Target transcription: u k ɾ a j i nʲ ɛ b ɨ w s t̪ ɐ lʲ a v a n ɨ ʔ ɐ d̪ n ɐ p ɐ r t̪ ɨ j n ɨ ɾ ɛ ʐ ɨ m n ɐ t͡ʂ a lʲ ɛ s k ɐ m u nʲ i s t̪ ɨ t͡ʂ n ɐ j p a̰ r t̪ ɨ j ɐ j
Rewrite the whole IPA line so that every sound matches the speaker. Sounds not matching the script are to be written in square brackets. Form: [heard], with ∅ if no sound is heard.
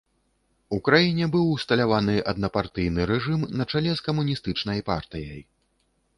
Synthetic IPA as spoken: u k ɾ a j i nʲ ɛ b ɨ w s t̪ ɐ lʲ a v a n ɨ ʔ ɐ d̪ n ɐ p [a] r t̪ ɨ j n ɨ ɾ ɛ ʐ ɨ m n ɐ t͡ʂ a lʲ ɛ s k ɐ m u nʲ i s t̪ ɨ t͡ʂ n ɐ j p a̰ r t̪ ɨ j ɐ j